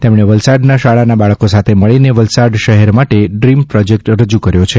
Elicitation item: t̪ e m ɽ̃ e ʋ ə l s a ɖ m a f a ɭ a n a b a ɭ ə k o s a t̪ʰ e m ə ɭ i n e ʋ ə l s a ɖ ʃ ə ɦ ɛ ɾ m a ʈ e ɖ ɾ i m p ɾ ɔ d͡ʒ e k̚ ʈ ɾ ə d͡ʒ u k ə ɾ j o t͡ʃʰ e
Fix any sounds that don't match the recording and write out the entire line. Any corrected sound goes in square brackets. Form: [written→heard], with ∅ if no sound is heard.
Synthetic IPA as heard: t̪ e m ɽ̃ e ʋ ə l s a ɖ [m→n] a [f→ʃ] a ɭ a n a b a ɭ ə k o s a t̪ʰ e m ə ɭ i n e ʋ ə l s a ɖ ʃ ə ɦ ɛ ɾ m a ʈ e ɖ ɾ i m p ɾ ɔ d͡ʒ e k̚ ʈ ɾ ə d͡ʒ u k ə ɾ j o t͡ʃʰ e

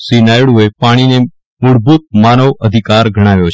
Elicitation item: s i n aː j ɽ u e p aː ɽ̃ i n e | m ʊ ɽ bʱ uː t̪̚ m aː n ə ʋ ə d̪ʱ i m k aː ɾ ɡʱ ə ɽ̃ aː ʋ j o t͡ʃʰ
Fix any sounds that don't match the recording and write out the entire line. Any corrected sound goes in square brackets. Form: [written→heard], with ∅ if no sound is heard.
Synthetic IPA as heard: s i n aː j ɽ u e p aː ɽ̃ i n e | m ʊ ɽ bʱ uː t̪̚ m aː n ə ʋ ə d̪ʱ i [m→∅] k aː ɾ ɡʱ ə ɽ̃ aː ʋ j o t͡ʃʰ

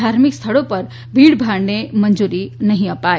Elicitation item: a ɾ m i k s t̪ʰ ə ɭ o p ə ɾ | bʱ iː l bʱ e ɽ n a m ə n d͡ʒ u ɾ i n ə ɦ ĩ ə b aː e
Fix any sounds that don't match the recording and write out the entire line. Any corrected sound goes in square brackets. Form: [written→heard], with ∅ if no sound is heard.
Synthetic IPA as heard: a ɾ m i k s t̪ʰ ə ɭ o p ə ɾ | bʱ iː [l→ɽ] bʱ [e→a] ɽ n [a→e] m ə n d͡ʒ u ɾ i n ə ɦ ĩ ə [b→p] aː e

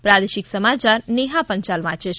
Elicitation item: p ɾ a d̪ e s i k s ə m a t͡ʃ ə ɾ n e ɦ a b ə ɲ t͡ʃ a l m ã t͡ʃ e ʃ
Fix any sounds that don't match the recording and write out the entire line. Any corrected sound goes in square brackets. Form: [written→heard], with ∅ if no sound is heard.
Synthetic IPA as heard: p ɾ a d̪ e [s→ʃ] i k s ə m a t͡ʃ [ə→a] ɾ n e ɦ a [b→p] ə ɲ t͡ʃ a l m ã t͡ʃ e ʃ

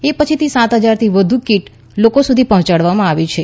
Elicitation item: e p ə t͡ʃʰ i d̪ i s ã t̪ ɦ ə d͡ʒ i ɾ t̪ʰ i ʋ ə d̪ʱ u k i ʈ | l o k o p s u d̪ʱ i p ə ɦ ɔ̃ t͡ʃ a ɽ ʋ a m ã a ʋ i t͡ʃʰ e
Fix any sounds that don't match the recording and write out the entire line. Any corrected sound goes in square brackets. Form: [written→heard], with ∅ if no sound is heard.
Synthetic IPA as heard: e p ə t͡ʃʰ i [d̪→t̪] i s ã t̪ ɦ ə d͡ʒ [i→a] ɾ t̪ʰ i ʋ ə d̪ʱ u k i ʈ | l o k o [p→∅] s u d̪ʱ i p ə ɦ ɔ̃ t͡ʃ a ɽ ʋ a m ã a ʋ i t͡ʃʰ e

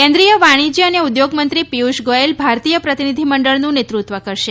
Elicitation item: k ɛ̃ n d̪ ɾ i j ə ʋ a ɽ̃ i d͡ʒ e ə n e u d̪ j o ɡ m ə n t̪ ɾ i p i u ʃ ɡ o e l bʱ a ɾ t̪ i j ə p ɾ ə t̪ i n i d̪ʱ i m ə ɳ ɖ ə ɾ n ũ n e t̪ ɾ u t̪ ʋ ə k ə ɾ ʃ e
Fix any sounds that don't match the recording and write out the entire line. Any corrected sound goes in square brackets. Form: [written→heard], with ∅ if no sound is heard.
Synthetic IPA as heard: k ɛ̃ n d̪ ɾ i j ə ʋ a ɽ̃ i d͡ʒ [e→i] ə n e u d̪ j o ɡ m ə n t̪ ɾ i p i u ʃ ɡ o e l bʱ a ɾ t̪ i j ə p ɾ ə t̪ i n i d̪ʱ i m ə ɳ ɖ ə [ɾ→ɭ] n ũ n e t̪ ɾ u t̪ ʋ ə k ə ɾ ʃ e

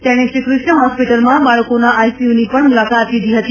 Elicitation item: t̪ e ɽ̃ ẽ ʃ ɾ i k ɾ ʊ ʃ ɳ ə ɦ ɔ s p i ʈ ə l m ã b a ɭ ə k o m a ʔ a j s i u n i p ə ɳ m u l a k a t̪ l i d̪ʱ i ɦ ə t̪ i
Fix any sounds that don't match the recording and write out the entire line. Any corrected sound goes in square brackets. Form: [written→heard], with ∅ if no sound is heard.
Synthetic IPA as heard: t̪ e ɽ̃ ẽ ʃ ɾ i k ɾ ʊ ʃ ɳ ə ɦ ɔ s p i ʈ ə l m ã b a ɭ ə k o [m→n] a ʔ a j s i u n i p ə ɳ m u l a k a t̪ l i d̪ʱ i ɦ ə t̪ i

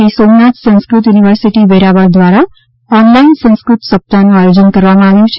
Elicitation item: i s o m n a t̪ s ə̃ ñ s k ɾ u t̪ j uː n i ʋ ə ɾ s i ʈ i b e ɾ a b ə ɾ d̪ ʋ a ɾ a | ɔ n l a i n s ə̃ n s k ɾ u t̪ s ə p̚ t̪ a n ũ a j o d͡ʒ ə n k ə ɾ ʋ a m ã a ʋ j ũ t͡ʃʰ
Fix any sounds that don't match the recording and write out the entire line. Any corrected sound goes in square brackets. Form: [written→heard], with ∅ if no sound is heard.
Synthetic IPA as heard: i s o m n a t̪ s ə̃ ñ s k ɾ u t̪ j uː n i ʋ ə ɾ s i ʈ i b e ɾ a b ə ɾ d̪ ʋ a ɾ a | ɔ n l a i n s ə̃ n s k ɾ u t̪ s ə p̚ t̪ a n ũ a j o d͡ʒ ə n k ə ɾ ʋ a m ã a ʋ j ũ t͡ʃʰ

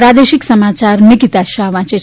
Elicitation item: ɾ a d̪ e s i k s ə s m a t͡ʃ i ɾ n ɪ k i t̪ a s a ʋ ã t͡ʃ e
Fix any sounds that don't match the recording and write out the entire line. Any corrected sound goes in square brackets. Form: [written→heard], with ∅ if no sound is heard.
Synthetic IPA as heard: ɾ a d̪ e [s→ʃ] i k s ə [s→∅] m a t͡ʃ [i→a] ɾ n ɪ k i t̪ a [s→ʃ] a ʋ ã t͡ʃ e

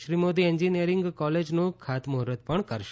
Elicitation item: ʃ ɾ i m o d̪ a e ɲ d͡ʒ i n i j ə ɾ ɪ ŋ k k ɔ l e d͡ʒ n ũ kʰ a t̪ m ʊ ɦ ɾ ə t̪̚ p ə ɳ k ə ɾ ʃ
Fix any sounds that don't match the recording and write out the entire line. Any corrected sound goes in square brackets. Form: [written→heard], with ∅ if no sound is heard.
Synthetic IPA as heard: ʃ ɾ i m o d̪ [a→i] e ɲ d͡ʒ i n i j ə ɾ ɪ ŋ [k→ɡ] k ɔ l e d͡ʒ n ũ kʰ a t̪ m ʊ ɦ ɾ ə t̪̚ p ə ɳ k ə ɾ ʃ

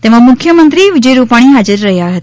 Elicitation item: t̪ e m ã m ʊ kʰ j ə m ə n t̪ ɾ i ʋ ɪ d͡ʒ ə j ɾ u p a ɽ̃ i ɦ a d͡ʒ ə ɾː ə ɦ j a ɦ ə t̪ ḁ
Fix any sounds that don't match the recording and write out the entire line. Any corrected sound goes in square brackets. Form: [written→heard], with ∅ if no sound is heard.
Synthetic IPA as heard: t̪ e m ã m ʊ kʰ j ə m ə n t̪ ɾ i ʋ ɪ d͡ʒ ə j ɾ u p a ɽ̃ i ɦ a d͡ʒ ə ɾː ə ɦ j a ɦ ə t̪ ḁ

